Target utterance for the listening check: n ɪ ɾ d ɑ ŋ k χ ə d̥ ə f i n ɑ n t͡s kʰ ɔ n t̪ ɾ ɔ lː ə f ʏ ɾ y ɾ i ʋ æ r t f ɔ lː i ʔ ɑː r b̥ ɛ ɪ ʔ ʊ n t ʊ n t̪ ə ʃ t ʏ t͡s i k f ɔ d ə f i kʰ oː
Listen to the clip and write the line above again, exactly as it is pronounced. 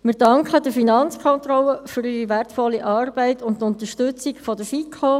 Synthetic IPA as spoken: m ɪ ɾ d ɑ ŋ k χ ə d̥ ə f i n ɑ n t͡s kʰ ɔ n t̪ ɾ ɔ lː ə f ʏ ɾ y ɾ i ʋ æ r t f ɔ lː i ʔ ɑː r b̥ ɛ ɪ t ʊ n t ʊ n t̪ ə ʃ t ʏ t͡s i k f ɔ d ə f i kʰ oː